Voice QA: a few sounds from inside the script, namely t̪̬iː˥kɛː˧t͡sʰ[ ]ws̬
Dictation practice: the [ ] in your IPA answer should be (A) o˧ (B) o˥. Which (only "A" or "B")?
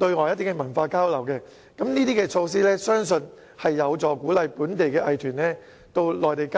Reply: A